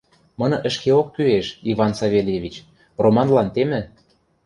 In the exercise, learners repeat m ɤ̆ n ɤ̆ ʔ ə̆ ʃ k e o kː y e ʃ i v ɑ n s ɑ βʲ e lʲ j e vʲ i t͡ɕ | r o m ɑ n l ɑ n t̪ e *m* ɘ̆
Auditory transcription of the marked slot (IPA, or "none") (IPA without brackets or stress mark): m